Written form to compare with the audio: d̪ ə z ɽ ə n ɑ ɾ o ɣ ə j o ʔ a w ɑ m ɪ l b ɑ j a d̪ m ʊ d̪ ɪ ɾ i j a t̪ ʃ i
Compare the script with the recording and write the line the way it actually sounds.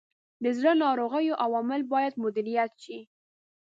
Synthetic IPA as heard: d̪ ə z ɽ ə n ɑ ɾ o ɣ ə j o ʔ a w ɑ m ɪ l b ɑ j a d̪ m ʊ d̪ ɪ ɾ i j a t̪ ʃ i